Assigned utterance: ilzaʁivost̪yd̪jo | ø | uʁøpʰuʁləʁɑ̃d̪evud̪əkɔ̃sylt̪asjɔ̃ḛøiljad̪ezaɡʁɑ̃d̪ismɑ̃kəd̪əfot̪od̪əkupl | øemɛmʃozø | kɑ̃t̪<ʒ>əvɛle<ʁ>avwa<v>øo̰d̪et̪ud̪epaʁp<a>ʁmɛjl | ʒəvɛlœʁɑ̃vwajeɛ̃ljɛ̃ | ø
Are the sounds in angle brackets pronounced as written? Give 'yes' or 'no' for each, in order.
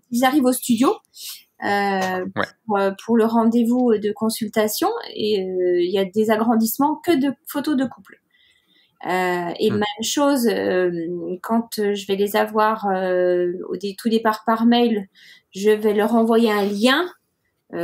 yes, no, no, yes

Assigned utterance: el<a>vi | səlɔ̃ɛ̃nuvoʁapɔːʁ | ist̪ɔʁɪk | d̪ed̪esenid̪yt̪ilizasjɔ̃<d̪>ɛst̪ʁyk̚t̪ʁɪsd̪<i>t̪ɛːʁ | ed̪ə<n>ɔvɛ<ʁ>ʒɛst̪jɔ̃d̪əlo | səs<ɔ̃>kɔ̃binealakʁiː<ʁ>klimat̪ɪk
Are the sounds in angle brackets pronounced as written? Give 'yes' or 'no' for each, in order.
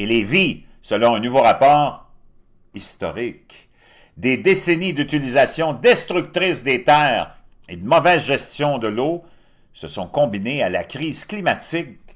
no, yes, no, no, no, yes, no

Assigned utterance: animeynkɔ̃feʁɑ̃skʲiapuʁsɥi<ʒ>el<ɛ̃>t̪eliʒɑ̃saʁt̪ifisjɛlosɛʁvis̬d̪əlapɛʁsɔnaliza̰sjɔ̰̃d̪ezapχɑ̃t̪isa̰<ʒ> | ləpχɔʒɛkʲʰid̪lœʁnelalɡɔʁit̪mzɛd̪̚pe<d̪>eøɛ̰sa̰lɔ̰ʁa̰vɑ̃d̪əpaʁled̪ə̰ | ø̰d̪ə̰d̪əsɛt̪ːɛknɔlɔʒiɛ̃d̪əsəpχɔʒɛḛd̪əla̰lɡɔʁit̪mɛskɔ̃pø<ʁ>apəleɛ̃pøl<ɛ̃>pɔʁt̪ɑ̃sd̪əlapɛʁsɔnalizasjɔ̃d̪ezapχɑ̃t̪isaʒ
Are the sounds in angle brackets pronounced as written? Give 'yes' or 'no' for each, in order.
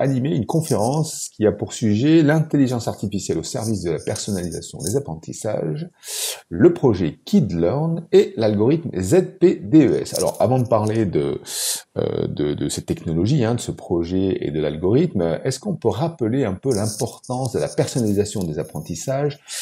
yes, yes, yes, yes, yes, yes

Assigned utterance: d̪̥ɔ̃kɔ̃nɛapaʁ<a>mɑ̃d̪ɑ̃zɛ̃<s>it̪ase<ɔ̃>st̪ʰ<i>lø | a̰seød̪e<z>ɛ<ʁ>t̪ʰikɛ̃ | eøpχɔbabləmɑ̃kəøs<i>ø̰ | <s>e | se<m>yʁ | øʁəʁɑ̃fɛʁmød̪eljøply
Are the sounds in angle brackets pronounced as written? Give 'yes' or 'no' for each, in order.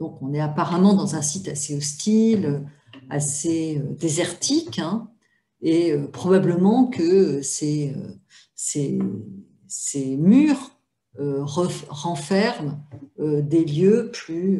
yes, yes, no, yes, yes, yes, no, yes, yes

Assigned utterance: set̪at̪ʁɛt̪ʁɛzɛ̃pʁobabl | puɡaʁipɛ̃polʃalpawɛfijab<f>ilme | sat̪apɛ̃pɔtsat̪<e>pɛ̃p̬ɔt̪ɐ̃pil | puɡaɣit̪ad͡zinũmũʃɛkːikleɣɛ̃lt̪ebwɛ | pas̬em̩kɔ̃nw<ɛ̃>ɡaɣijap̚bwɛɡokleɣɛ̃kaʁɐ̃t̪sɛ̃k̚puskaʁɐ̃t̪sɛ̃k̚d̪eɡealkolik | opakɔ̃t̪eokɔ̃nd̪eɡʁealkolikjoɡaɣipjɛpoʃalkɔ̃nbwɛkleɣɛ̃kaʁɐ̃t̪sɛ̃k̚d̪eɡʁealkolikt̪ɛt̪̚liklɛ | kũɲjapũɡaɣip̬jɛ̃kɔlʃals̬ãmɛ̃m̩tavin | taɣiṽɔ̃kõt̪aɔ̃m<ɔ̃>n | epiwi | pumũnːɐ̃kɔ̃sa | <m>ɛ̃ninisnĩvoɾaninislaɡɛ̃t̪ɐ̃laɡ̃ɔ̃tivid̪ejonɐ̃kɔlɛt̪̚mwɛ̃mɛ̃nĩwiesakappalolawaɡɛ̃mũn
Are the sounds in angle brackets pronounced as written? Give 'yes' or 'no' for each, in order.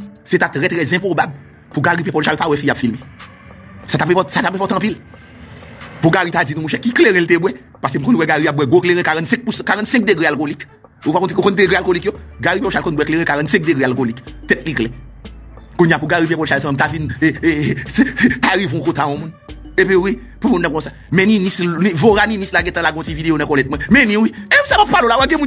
yes, no, no, no, yes

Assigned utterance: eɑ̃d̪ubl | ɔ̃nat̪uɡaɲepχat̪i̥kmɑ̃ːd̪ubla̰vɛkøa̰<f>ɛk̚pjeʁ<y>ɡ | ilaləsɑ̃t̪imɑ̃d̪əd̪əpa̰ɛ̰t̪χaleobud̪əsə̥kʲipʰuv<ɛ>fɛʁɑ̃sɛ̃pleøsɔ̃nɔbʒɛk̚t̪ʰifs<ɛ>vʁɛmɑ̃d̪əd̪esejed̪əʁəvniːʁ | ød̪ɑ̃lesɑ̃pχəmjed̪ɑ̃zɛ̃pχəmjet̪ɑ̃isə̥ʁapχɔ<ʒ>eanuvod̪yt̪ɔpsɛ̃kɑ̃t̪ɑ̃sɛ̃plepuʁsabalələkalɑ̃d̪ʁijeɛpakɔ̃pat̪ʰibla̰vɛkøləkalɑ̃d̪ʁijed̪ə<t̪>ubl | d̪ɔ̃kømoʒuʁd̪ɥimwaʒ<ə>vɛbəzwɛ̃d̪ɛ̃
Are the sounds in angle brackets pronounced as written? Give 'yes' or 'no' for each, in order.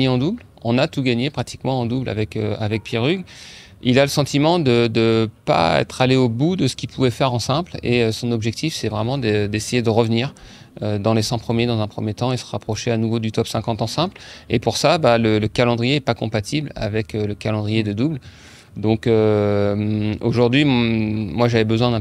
no, yes, yes, yes, no, no, no

